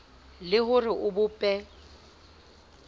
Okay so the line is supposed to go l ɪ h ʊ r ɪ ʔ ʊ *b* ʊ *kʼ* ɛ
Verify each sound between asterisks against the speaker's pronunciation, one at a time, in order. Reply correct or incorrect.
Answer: correct, incorrect: pʼ

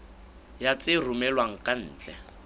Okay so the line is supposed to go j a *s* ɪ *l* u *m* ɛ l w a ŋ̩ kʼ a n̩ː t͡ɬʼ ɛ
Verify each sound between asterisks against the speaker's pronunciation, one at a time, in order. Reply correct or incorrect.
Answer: incorrect: t͡s, incorrect: r, correct

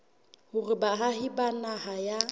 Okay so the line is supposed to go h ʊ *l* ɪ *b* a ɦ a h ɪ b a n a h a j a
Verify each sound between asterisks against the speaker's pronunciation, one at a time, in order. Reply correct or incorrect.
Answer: incorrect: r, correct

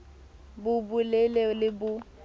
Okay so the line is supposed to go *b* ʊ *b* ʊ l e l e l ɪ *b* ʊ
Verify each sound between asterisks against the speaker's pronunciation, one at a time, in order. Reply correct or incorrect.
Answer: correct, correct, correct

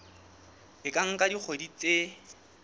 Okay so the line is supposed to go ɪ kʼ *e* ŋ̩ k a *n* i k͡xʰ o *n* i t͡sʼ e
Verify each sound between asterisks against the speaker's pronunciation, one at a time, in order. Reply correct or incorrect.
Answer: incorrect: a, incorrect: d, incorrect: d

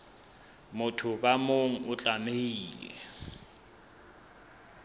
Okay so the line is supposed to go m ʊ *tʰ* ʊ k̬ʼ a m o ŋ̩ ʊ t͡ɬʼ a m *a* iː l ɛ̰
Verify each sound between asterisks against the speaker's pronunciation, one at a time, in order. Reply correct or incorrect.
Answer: correct, incorrect: e

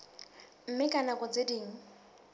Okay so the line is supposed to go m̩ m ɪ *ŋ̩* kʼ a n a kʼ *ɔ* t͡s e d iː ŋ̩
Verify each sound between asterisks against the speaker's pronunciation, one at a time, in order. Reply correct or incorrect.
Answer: incorrect: none, correct

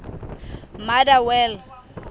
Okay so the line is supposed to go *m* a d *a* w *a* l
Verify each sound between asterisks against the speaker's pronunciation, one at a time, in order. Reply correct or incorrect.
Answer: correct, correct, incorrect: ɛ

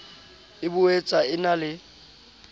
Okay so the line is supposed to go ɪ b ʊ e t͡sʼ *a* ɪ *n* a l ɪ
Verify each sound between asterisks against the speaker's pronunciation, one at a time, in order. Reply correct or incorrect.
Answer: correct, correct

